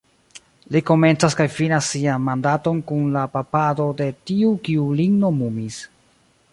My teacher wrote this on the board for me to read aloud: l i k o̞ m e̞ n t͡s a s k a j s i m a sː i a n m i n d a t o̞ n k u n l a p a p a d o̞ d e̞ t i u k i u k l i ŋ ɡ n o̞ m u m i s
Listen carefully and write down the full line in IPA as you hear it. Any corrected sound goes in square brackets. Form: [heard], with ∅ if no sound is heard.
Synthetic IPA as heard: l i k o̞ m e̞ n t͡s a s k a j [f] i [n] a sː i a n m [a] n d a t o̞ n k u n l a p a p a d o̞ d e̞ t i u k i u [∅] l i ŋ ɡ n o̞ m u m i s

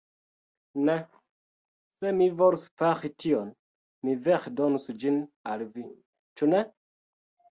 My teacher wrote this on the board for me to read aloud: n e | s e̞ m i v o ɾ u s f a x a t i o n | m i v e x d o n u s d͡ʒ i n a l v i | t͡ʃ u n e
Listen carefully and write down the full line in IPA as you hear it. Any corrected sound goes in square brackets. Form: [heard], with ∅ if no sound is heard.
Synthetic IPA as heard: n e | s e̞ m i v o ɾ u s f a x [i] t i o n | m i v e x d o n u s d͡ʒ i n a l v i | t͡ʃ u n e

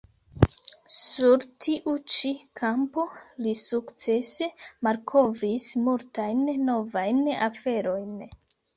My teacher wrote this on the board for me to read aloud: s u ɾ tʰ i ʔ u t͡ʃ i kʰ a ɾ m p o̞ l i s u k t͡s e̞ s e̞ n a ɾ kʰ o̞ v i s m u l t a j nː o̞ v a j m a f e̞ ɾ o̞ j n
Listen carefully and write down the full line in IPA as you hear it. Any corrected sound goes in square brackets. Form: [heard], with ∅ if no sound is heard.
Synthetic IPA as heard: s u ɾ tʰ i ʔ u t͡ʃ i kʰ a [∅] m p o̞ l i s u k t͡s e̞ s e̞ [m] a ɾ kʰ o̞ v i s m u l t a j nː o̞ v a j [n] a f e̞ ɾ o̞ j n

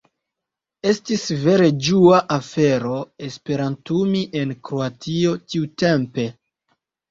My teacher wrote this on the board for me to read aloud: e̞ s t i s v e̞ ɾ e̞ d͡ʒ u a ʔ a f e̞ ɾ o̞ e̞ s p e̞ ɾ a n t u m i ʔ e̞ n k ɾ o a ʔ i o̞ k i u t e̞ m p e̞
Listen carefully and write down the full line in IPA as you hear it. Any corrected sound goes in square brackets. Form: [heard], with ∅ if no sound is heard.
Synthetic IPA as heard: e̞ s t i s v e̞ ɾ e̞ d͡ʒ u a ʔ a f e̞ ɾ o̞ e̞ s p e̞ ɾ a n t u m i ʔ e̞ n k ɾ o a [t] i o̞ [t] i u t e̞ m p e̞

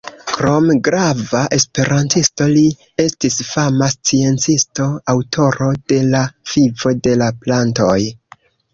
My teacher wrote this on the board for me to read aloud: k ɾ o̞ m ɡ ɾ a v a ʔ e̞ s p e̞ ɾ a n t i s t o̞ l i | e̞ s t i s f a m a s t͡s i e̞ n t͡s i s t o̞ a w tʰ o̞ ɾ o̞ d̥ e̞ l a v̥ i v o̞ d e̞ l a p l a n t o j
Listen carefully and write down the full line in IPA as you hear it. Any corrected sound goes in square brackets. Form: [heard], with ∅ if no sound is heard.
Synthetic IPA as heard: k ɾ o̞ m ɡ ɾ a v a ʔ e̞ s p e̞ ɾ a n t i s t o̞ l i | e̞ s t i s f a m a s t͡s i e̞ n t͡s i s t o̞ a w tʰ o̞ ɾ o̞ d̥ e̞ l a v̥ i v o̞ d e̞ l a p l a n t o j

